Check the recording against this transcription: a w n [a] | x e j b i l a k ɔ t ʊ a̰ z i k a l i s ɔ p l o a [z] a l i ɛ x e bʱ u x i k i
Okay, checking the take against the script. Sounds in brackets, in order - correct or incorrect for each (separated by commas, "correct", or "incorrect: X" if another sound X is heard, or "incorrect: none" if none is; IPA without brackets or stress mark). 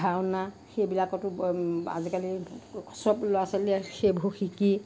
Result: correct, incorrect: s